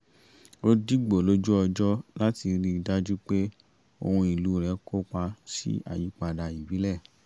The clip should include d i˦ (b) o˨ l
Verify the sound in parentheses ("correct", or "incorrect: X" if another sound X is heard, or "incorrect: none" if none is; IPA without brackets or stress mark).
incorrect: ɡ͡b